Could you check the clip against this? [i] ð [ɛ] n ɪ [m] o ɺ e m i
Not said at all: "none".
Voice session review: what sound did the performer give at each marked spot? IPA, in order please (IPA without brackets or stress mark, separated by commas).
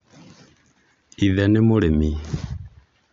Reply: i, ɛ, m